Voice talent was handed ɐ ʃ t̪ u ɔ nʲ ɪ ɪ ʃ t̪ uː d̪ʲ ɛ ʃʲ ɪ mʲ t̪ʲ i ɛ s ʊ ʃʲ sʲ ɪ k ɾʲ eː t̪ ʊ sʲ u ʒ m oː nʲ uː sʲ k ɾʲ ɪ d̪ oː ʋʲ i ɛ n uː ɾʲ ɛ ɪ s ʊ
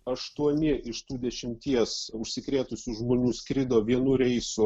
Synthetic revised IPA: ɐ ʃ t̪ u ɔ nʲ ɪ ɪ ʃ t̪ uː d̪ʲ ɛ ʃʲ ɪ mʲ t̪ʲ i ɛ s ʊ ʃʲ sʲ ɪ k ɾʲ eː t̪ ʊ sʲ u ʒ m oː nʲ uː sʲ k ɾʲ ɪ d̪ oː ʋʲ i ɛ n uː ɾʲ ɛ ɪ s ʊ